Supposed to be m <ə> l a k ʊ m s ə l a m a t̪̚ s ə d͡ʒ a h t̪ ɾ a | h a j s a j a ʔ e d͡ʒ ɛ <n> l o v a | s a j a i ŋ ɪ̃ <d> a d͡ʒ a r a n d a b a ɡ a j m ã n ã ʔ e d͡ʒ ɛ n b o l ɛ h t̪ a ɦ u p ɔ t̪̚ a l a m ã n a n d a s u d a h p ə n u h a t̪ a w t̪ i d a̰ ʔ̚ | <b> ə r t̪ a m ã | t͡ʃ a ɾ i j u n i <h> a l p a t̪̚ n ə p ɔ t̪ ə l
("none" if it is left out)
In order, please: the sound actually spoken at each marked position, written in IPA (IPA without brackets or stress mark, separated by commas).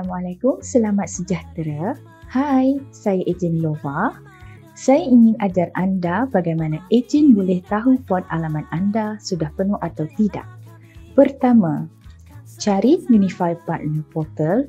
a, n, n, p, f